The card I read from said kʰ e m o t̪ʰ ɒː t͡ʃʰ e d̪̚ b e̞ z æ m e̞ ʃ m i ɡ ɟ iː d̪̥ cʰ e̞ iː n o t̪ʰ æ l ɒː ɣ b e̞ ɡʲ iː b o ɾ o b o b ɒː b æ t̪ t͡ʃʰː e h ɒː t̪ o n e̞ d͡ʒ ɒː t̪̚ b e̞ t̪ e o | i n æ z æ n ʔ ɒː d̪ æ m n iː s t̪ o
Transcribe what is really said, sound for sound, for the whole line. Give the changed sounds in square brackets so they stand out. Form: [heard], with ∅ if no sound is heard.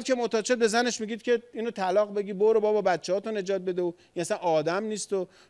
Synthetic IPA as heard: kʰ e m o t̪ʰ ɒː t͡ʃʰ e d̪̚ b e̞ z æ [n] e̞ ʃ m i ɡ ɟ iː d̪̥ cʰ e̞ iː n o t̪ʰ æ l ɒː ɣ b e̞ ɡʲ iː b o ɾ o b [ɒ] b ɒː b æ t̪ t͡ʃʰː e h ɒː t̪ o n e̞ d͡ʒ ɒː t̪̚ b e̞ [d̪] e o | i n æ [s] æ n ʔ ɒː d̪ æ m n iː s t̪ o